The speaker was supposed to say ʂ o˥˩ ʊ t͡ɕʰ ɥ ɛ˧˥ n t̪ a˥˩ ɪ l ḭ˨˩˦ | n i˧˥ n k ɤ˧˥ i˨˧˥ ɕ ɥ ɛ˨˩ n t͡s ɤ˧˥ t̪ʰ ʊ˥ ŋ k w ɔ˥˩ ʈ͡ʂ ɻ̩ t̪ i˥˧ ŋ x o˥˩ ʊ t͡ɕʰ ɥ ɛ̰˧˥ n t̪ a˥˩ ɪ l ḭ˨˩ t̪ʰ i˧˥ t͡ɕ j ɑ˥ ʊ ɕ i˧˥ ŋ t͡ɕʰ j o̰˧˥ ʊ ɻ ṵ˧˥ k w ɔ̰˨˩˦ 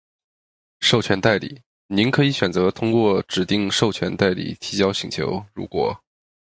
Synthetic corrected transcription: ʂ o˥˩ ʊ t͡ɕʰ ɥ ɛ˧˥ n t̪ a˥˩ ɪ l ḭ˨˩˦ | n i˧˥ n kʰ ɤ˧˥ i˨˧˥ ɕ ɥ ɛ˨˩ n t͡s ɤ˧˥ t̪ʰ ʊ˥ ŋ k w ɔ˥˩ ʈ͡ʂ ɻ̩ t̪ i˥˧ ŋ ʂ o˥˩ ʊ t͡ɕʰ ɥ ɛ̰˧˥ n t̪ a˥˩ ɪ l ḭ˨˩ t̪ʰ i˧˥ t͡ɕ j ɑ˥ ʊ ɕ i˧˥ ŋ t͡ɕʰ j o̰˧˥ ʊ ɻ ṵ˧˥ k w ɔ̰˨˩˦